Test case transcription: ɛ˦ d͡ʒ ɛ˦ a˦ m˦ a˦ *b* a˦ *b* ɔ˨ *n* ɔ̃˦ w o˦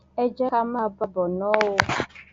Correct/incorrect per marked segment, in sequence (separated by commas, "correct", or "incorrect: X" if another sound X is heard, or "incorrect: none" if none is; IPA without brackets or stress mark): correct, correct, correct